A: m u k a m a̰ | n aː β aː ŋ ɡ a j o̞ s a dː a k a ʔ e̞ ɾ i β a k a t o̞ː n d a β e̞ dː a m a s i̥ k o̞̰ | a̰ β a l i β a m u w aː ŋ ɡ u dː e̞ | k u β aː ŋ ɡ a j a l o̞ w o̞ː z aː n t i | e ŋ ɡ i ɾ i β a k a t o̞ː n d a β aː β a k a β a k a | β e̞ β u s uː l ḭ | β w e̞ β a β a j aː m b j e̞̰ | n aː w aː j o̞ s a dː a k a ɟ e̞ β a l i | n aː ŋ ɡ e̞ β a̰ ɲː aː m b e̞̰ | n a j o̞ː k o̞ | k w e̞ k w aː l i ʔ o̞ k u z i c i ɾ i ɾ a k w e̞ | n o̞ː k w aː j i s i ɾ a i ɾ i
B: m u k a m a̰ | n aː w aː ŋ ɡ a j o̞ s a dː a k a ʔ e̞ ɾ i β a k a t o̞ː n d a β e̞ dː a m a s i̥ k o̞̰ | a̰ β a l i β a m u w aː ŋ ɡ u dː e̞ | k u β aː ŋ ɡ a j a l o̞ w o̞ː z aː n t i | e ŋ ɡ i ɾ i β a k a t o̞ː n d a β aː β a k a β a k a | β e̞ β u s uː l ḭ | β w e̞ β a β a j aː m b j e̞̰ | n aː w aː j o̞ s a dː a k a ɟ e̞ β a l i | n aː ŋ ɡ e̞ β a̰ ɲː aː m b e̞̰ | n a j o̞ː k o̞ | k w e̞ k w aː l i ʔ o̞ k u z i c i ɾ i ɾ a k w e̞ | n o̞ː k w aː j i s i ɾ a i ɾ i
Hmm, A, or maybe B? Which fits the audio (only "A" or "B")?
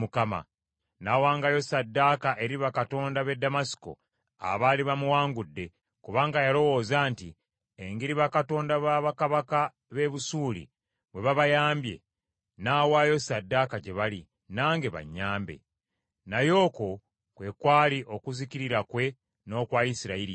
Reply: B